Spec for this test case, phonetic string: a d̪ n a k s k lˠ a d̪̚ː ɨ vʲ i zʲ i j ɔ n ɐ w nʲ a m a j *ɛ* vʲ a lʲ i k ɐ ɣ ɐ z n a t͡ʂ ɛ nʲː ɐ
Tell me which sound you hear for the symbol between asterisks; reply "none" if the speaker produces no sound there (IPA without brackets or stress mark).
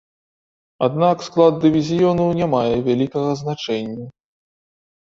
ɛ